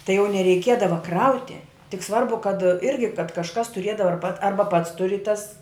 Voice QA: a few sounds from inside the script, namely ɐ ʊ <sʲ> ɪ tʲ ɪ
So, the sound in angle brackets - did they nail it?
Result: no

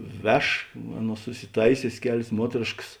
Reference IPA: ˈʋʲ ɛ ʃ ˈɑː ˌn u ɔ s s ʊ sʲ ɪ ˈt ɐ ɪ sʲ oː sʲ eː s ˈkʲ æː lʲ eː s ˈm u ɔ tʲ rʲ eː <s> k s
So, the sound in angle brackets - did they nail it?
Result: no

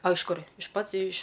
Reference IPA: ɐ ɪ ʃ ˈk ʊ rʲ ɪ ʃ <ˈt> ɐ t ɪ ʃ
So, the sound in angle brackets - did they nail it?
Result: no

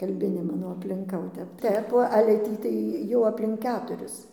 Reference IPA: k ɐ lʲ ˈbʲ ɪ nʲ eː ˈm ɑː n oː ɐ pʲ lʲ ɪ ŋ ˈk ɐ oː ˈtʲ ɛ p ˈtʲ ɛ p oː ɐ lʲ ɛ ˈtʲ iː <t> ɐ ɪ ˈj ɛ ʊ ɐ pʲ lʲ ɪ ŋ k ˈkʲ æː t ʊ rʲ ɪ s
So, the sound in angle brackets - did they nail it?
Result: yes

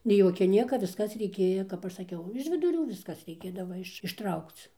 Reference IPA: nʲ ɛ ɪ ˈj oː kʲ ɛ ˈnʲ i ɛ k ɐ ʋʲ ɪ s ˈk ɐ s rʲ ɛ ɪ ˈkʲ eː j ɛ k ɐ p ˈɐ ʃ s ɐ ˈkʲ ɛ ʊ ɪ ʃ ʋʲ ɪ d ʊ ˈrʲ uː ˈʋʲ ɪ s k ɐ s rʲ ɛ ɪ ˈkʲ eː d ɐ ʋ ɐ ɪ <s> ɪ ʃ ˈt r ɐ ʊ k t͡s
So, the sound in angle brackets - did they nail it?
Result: no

